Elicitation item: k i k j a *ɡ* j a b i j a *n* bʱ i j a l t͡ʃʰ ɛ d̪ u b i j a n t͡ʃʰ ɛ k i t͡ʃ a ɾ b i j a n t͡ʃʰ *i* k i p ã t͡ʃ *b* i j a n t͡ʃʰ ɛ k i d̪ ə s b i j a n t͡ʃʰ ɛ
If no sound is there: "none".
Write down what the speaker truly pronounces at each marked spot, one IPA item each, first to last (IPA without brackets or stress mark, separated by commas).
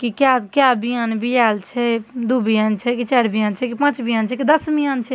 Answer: k, n, ɛ, b